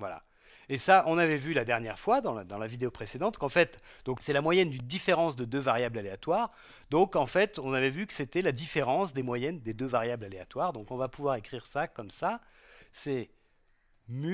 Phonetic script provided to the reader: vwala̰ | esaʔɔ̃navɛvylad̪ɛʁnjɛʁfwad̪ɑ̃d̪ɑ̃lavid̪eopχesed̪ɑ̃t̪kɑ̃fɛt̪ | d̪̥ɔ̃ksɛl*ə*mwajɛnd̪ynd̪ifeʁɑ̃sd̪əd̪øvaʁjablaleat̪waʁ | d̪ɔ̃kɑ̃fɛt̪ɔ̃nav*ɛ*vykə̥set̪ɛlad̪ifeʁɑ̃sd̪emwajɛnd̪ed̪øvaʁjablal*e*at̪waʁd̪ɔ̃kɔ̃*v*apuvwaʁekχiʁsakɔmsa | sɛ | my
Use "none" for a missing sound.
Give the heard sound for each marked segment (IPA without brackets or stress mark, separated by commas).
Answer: a, ɛ, e, v